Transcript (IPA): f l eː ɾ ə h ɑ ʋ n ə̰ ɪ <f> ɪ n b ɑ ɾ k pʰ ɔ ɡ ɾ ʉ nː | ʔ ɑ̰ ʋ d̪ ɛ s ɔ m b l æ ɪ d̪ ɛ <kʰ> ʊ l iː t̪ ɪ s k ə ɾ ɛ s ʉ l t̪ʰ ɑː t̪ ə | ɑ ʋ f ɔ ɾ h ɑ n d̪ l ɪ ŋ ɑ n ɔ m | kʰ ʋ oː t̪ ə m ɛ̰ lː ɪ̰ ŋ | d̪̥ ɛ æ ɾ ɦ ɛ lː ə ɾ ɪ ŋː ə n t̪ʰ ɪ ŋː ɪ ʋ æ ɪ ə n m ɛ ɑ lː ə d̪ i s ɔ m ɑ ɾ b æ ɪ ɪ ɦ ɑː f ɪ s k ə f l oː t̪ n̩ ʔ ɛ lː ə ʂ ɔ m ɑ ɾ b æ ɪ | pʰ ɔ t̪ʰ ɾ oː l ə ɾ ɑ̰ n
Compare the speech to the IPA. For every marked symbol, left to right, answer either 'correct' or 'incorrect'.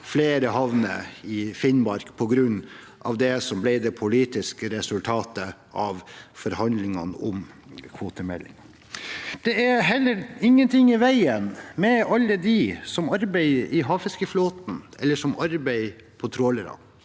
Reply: correct, incorrect: pʰ

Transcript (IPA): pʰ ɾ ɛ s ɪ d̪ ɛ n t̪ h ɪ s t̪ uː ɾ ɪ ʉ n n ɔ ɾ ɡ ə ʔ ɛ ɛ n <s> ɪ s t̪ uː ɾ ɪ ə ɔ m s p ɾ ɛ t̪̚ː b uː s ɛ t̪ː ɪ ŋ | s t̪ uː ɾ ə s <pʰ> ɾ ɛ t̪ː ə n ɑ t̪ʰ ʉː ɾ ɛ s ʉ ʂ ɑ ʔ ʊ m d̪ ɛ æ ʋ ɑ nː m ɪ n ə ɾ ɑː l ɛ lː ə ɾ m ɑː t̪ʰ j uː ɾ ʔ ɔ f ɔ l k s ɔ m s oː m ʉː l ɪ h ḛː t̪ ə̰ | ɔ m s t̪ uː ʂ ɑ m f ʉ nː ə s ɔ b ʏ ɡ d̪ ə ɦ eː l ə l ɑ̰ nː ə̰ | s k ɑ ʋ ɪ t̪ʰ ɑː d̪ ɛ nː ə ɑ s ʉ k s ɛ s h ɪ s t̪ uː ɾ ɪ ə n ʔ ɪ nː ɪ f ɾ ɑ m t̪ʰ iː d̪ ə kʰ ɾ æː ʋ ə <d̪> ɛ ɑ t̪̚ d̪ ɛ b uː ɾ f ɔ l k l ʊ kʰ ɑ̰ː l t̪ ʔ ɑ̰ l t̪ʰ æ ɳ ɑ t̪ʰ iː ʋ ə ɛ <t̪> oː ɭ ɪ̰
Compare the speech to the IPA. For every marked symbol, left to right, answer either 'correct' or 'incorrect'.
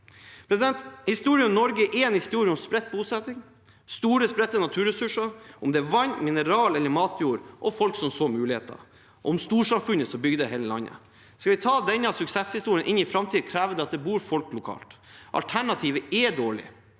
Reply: incorrect: h, incorrect: p, correct, incorrect: d̪

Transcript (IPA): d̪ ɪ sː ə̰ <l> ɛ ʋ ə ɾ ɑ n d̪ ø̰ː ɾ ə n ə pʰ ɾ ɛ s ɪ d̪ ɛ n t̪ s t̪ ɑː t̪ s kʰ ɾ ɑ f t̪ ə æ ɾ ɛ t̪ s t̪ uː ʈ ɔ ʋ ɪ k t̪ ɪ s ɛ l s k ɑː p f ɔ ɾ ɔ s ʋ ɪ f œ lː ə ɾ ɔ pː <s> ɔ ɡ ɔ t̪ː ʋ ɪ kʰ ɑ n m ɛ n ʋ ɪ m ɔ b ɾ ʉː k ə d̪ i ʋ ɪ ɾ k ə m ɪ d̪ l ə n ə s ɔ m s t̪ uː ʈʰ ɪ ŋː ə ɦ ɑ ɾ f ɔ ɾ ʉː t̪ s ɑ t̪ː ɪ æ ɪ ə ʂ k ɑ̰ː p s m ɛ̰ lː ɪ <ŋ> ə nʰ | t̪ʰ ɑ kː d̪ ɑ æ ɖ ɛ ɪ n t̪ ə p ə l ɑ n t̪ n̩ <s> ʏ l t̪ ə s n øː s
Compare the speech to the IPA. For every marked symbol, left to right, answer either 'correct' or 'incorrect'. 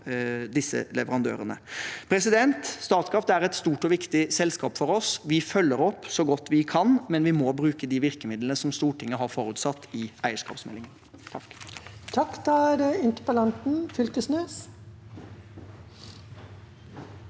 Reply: correct, correct, correct, incorrect: f

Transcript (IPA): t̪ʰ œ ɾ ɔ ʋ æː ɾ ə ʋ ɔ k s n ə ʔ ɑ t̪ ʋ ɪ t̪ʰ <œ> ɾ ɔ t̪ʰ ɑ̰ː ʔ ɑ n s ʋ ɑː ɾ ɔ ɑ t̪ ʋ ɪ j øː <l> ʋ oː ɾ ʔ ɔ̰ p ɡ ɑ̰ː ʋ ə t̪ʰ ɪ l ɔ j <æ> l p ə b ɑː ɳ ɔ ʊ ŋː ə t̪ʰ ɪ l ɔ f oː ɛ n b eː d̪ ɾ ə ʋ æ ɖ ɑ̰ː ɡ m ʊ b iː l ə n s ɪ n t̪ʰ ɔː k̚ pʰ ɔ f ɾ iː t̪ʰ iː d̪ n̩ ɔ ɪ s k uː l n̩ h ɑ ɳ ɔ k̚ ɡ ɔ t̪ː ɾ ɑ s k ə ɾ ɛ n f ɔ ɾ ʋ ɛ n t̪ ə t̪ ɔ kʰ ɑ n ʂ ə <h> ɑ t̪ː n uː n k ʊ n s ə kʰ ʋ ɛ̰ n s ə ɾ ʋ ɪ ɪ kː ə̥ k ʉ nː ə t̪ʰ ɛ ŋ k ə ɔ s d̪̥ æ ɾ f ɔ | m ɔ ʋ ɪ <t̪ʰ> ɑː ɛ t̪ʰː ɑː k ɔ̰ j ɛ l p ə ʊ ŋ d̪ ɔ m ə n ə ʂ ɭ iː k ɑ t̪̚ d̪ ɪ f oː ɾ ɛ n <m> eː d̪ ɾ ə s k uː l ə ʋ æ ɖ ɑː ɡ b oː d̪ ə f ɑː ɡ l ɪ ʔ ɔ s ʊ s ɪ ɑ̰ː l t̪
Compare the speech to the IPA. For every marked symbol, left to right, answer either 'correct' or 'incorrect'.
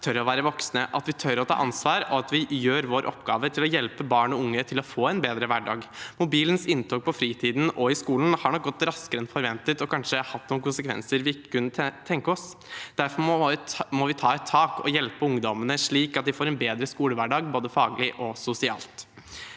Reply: correct, incorrect: ɾ, incorrect: ɛ, correct, correct, incorrect: b

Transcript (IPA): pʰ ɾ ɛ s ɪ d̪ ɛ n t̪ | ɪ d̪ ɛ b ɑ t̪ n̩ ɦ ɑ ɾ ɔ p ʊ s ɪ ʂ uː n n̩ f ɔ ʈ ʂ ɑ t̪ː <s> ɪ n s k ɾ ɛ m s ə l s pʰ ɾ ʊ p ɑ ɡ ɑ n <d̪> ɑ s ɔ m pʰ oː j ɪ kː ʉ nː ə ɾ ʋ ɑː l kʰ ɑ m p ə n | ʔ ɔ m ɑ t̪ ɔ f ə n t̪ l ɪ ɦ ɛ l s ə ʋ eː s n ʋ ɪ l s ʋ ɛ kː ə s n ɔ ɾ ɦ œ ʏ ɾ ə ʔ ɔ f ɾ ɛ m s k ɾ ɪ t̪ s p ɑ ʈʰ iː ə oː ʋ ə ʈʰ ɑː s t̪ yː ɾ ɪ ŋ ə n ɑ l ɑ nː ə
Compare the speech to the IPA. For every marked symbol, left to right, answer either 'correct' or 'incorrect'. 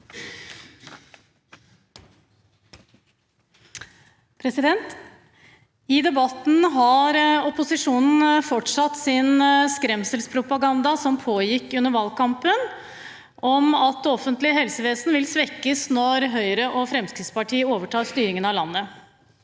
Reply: correct, correct

